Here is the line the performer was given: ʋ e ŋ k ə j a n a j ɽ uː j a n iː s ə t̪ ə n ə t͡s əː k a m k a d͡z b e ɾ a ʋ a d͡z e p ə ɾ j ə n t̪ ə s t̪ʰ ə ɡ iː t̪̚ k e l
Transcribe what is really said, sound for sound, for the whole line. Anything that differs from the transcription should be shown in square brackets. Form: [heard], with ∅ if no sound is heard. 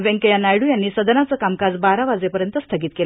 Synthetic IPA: ʋ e ŋ k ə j a n a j ɽ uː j a [nː] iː s ə [d̪] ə n [a] t͡s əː k a m k a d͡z b [a] ɾ a ʋ a d͡z e p ə ɾ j ə n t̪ ə s t̪ʰ ə ɡ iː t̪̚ k e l